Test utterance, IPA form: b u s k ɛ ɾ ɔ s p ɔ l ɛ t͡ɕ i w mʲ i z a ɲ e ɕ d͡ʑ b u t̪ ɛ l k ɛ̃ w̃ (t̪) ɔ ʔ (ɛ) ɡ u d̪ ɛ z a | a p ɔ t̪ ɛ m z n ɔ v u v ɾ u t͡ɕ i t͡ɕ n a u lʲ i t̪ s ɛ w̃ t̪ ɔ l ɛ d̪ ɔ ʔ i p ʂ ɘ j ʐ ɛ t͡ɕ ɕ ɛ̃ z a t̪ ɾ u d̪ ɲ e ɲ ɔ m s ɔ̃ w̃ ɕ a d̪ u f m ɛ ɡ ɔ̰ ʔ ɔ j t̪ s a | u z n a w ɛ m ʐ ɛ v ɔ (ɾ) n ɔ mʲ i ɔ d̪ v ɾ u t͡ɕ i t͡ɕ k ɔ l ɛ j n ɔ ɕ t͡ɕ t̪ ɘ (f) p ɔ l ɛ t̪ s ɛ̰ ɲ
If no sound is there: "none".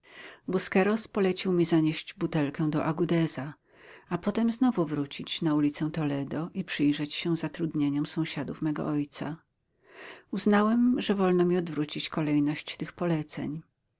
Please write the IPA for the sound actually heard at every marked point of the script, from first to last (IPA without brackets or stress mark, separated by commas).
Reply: d̪, a, l, x